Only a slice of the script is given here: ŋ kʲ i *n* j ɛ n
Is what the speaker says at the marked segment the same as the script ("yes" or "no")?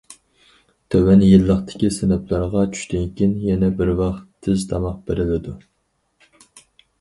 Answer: yes